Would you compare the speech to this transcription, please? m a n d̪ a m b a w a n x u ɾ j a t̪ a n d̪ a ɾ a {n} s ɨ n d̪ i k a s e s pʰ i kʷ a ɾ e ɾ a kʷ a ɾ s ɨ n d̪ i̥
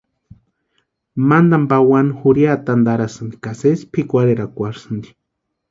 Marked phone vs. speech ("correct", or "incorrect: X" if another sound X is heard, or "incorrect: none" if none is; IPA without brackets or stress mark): incorrect: none